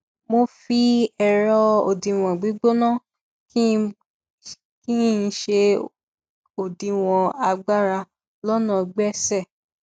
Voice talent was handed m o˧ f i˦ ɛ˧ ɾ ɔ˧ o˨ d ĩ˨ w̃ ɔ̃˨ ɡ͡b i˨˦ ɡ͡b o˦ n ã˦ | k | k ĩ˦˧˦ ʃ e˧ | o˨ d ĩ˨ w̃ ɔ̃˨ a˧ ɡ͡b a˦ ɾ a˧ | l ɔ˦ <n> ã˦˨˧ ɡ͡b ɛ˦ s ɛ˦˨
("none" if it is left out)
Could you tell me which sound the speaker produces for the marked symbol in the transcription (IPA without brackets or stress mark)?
n